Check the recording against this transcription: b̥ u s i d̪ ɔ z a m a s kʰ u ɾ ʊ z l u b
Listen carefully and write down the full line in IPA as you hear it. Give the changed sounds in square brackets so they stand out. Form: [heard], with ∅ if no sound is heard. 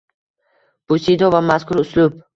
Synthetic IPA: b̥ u s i d̪ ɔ [v] a m a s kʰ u ɾ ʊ [s] l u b